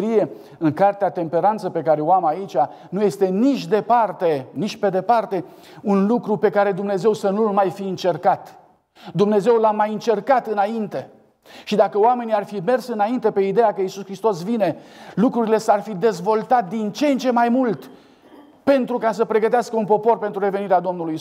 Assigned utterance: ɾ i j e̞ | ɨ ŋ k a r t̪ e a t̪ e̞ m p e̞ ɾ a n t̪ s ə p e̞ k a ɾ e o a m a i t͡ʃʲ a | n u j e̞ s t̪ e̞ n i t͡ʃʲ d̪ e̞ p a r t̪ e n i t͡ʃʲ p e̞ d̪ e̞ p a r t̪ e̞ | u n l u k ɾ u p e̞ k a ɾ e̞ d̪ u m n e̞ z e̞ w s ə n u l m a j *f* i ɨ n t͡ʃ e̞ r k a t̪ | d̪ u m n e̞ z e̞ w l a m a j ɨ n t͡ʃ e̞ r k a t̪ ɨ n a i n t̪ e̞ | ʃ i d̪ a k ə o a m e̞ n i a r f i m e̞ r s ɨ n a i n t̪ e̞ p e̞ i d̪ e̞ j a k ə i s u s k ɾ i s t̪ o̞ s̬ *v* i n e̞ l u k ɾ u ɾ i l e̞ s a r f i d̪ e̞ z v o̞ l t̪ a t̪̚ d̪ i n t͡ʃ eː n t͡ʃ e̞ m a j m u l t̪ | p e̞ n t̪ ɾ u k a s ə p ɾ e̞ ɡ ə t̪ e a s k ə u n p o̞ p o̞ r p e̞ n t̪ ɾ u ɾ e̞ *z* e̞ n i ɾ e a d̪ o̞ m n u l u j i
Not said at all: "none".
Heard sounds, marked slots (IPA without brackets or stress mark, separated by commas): f, v, v